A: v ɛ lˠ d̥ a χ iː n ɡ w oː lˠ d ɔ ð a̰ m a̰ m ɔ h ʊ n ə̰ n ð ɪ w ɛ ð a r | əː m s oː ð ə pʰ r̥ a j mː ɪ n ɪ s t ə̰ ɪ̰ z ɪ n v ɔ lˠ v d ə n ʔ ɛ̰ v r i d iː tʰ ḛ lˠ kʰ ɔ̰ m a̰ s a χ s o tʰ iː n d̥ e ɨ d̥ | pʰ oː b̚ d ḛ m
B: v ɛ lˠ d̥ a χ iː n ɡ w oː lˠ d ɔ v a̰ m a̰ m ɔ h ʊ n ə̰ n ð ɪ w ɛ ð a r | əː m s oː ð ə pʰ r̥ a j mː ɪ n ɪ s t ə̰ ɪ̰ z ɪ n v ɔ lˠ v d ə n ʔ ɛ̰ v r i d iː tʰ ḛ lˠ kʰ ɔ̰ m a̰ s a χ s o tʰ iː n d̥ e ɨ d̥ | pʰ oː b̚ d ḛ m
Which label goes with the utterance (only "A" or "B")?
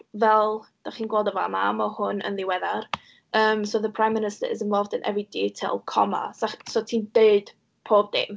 B